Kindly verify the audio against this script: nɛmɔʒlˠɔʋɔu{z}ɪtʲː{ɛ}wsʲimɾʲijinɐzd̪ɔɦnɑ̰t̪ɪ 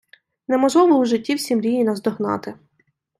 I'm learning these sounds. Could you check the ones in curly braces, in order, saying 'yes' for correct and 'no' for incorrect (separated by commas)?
no, no